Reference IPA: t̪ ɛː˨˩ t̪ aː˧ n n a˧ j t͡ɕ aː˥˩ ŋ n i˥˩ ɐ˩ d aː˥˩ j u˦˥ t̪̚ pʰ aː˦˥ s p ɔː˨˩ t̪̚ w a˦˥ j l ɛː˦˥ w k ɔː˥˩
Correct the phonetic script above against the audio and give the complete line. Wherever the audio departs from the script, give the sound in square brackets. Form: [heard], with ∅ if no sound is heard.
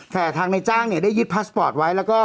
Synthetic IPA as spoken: t̪ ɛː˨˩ [t̪ʰ] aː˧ [ŋ] n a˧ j t͡ɕ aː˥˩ ŋ n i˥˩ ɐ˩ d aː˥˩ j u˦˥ t̪̚ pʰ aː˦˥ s p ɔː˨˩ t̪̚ w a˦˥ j l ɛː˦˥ w k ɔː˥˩